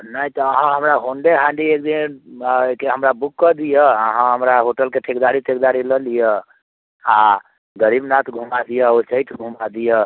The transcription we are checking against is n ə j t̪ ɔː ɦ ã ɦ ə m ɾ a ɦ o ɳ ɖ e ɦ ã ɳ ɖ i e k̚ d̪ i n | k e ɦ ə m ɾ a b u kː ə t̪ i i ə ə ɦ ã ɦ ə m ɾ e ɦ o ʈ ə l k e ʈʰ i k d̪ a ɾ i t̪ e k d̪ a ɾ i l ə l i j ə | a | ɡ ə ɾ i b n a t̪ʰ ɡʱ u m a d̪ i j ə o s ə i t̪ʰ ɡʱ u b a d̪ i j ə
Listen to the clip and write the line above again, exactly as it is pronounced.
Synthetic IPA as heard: n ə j t̪ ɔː ɦ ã ɦ ə m ɾ a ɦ o ɳ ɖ e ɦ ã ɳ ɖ i e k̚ d̪ i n | k e ɦ ə m ɾ a b u kː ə d̪ i j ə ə ɦ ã ɦ ə m ɾ a ɦ o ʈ ə l k e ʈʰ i k d̪ a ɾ i t̪ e k d̪ a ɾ i l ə l i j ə | a | ɡ ə ɾ i b n a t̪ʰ ɡʱ u m a d̪ i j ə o s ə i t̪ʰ ɡʱ u m a d̪ i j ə